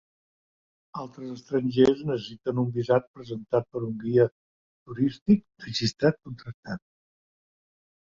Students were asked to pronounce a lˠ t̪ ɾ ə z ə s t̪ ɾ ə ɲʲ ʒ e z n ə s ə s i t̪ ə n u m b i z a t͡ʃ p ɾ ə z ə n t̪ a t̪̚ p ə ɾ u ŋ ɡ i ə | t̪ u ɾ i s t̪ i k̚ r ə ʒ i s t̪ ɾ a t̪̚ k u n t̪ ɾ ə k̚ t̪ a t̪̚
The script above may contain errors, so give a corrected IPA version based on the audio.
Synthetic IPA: a lˠ t̪ ɾ ə z ə s t̪ ɾ ə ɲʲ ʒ e z n ə s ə s i t̪ ə n u m b i z a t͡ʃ p ɾ ə z ə n t̪ a t̪̚ p ə ɾ u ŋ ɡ i ə | t̪ u ɾ i s t̪ i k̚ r ə ʒ i s t̪ ɾ a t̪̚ k u n t̪ ɾ ə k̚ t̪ a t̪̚